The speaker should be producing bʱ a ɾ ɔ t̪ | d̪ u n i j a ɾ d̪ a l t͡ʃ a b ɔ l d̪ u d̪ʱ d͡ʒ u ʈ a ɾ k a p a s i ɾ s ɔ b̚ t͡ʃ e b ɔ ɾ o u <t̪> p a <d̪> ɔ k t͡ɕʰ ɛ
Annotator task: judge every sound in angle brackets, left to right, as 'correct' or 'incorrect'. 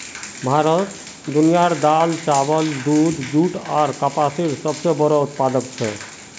correct, correct

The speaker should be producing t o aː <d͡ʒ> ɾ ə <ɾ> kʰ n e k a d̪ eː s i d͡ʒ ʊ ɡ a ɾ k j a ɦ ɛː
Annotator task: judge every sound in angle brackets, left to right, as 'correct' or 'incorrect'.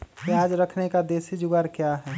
correct, incorrect

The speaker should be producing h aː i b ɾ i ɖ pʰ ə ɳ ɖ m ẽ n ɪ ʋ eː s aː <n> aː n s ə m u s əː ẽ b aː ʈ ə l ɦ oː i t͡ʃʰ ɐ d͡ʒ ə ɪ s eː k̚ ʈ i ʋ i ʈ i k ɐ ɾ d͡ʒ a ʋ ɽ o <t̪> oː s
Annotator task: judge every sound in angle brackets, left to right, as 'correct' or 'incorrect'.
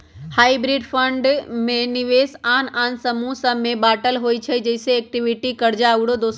correct, incorrect

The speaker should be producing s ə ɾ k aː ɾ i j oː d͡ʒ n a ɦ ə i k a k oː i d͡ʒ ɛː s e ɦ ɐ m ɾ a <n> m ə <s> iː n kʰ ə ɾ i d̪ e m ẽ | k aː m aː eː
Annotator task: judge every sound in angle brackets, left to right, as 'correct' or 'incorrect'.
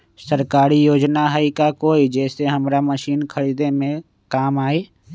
incorrect, incorrect

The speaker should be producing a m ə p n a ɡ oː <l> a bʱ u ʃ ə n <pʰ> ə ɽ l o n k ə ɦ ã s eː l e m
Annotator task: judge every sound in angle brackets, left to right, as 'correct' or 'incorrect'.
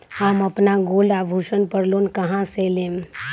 correct, incorrect

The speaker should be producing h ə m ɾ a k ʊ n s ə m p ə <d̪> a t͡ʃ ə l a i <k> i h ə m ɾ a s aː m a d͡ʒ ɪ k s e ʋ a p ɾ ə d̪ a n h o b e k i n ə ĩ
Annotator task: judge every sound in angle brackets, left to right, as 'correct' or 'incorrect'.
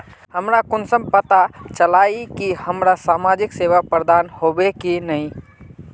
incorrect, correct

